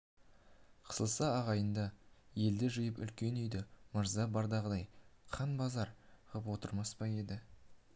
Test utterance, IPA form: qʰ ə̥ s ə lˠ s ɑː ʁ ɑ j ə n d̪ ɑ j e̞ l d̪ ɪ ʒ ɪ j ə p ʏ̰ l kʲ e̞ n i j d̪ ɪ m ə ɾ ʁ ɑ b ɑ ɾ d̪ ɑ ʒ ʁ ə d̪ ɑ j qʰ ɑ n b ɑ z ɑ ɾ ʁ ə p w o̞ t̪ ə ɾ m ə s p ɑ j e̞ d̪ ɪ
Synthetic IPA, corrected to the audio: qʰ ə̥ s ə lˠ s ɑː ʁ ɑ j ə n d̪ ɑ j e̞ l d̪ ɪ ʒ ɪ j ə p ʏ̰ l kʲ e̞ n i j d̪ ɪ m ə ɾ z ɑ b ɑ ɾ d̪ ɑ ʁ ə d̪ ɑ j qʰ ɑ n b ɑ z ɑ ɾ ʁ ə p w o̞ t̪ ə ɾ m ɑ s p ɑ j e̞ d̪ ɪ